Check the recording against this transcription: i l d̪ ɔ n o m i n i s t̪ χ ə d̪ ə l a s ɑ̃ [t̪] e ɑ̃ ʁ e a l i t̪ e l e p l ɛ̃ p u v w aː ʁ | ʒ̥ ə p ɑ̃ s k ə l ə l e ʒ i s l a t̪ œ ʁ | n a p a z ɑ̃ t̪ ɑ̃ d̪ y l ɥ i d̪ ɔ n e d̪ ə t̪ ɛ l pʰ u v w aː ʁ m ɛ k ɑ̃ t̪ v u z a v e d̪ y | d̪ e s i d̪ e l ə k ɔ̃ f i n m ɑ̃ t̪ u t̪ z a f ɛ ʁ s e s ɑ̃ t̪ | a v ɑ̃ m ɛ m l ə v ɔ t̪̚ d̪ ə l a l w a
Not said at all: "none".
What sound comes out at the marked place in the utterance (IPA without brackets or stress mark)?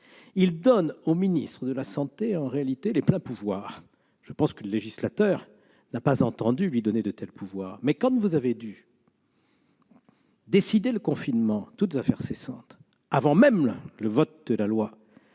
t̪